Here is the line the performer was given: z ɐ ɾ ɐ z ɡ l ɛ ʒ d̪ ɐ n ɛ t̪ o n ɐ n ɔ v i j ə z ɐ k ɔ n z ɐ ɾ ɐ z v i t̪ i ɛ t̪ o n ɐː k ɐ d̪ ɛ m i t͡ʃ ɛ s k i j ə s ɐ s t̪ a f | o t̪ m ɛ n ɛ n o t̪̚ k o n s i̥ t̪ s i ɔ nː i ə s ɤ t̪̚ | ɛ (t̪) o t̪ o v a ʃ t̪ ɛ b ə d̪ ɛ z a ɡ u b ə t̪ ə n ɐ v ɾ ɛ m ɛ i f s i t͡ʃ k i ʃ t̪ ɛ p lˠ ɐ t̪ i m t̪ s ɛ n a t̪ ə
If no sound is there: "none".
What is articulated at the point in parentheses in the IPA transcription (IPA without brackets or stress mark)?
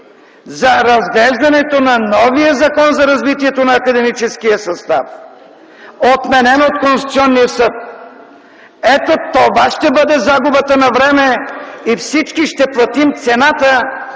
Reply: t̪